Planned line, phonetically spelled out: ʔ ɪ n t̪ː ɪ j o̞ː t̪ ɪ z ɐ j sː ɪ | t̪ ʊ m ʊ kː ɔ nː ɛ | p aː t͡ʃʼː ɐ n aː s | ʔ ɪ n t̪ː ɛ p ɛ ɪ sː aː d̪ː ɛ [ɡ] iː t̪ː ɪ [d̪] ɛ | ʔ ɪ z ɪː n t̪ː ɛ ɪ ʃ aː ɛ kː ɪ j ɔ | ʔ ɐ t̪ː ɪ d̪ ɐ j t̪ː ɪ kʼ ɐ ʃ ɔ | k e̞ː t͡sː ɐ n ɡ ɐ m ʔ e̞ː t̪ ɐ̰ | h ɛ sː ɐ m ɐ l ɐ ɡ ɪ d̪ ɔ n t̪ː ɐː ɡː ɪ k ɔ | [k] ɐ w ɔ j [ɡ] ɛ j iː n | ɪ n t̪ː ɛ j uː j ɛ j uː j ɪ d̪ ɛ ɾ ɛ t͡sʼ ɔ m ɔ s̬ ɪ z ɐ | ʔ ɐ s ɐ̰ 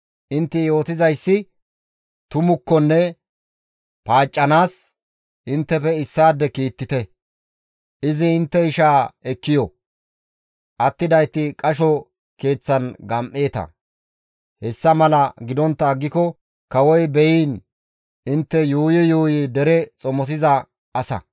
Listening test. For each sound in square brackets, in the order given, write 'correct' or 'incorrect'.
incorrect, incorrect, correct, incorrect

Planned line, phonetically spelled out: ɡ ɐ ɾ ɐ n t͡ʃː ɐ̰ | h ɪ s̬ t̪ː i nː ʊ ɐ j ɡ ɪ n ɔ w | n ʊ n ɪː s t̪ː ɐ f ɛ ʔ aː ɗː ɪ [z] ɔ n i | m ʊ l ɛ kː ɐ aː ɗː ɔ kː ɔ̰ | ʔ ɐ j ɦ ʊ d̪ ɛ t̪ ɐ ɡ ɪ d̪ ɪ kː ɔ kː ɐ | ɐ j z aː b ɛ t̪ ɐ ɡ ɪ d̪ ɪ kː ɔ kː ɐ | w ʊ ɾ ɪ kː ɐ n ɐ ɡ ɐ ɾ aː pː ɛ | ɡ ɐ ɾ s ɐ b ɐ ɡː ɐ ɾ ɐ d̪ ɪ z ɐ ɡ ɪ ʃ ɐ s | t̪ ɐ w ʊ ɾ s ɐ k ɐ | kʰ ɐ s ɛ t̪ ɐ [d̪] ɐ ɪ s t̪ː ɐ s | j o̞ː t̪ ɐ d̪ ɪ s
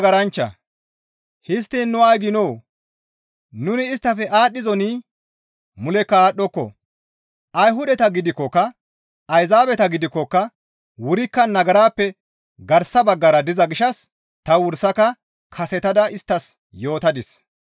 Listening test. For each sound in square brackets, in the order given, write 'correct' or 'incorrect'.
correct, correct

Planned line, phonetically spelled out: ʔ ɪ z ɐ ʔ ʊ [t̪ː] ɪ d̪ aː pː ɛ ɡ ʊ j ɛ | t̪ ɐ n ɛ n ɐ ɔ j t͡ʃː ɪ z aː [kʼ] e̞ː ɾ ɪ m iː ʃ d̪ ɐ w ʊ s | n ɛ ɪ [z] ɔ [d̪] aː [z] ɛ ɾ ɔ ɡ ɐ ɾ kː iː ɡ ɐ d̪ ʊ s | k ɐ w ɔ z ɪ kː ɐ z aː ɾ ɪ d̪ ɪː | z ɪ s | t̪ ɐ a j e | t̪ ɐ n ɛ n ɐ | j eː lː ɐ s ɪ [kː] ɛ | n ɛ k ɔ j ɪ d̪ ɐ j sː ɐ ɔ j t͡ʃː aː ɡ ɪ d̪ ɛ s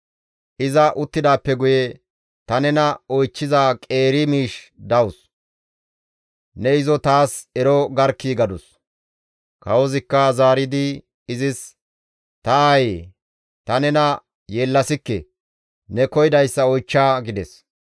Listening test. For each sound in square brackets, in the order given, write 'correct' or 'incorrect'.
correct, correct, correct, incorrect, incorrect, correct

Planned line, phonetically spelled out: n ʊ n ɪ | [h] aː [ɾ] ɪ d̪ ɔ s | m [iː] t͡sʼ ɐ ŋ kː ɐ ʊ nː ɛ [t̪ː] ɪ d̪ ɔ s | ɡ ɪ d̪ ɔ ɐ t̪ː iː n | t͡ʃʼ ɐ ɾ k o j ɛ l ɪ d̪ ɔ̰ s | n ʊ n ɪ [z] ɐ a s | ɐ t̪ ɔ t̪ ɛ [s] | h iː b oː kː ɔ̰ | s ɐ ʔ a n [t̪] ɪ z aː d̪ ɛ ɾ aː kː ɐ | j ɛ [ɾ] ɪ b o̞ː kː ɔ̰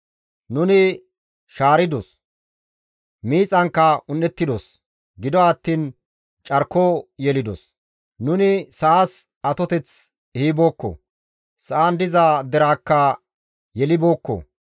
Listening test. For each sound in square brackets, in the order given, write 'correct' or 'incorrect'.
incorrect, correct, correct, correct, incorrect, incorrect, incorrect, incorrect

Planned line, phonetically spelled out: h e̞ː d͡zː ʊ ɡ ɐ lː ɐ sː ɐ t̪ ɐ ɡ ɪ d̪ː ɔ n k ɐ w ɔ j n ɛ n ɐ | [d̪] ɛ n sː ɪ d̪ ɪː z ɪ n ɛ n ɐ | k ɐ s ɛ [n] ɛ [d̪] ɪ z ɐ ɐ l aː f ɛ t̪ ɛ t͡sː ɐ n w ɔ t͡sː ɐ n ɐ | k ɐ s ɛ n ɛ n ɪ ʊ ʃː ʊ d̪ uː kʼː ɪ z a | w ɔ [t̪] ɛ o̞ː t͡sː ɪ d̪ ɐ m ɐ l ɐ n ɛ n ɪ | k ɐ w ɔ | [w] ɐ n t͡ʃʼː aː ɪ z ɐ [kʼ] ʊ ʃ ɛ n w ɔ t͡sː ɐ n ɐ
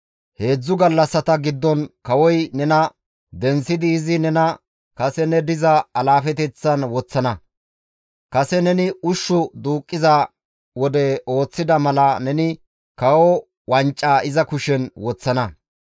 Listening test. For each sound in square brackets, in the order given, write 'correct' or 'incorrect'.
correct, correct, correct, incorrect, correct, incorrect

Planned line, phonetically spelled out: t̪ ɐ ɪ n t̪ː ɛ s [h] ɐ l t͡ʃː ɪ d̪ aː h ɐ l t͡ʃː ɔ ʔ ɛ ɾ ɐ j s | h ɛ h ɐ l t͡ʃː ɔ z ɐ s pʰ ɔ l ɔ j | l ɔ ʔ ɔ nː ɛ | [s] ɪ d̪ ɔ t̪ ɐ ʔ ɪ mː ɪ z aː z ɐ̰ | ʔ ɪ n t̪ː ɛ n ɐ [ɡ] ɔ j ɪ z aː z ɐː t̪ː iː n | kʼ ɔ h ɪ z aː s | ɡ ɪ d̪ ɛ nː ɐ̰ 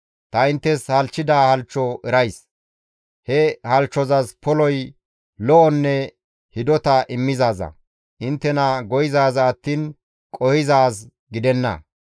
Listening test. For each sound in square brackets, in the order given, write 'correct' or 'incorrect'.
correct, incorrect, correct

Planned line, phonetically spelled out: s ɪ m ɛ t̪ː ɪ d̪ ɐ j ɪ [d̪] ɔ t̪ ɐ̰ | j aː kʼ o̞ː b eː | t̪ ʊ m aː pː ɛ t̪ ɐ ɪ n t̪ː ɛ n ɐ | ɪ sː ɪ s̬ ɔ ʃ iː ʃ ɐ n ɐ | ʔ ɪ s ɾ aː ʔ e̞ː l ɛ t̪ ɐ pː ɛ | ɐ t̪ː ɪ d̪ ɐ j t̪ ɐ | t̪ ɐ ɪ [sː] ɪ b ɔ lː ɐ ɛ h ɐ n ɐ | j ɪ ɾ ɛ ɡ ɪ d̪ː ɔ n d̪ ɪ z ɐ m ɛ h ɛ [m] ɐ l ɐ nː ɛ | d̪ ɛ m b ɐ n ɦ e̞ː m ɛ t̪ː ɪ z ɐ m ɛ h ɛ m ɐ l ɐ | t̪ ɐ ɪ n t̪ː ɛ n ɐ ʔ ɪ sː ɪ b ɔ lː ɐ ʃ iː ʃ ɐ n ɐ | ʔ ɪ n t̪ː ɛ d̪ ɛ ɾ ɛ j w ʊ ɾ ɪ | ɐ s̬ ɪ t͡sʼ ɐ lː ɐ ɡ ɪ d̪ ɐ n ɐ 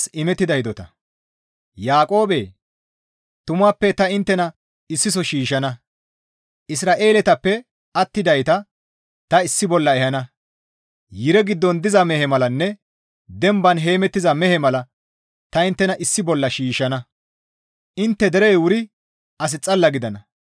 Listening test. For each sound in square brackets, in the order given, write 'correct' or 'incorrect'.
correct, correct, correct

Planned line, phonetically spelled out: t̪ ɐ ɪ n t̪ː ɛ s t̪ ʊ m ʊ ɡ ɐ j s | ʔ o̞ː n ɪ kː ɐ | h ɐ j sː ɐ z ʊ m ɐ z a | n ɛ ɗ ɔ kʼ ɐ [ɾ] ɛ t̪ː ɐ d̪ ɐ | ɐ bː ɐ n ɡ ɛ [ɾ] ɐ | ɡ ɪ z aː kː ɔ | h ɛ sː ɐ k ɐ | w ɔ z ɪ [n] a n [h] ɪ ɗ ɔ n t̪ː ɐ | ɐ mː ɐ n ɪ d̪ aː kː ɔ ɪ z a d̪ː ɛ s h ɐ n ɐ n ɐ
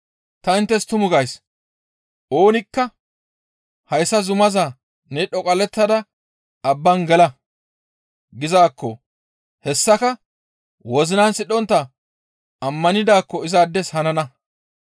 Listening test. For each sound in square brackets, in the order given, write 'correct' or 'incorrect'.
incorrect, incorrect, correct, incorrect

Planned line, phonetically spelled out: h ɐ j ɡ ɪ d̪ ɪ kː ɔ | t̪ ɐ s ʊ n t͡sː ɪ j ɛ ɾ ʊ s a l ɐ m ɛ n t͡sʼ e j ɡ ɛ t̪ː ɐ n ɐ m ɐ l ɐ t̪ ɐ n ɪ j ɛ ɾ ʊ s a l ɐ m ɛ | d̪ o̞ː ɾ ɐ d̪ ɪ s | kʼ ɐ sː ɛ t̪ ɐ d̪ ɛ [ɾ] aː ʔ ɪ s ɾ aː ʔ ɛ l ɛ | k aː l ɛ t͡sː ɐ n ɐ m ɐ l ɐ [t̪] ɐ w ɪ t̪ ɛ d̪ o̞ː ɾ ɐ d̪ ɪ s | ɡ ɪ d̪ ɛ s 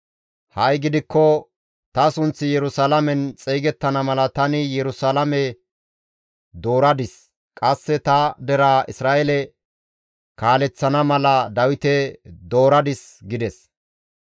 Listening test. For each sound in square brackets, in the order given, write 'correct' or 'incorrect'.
correct, incorrect

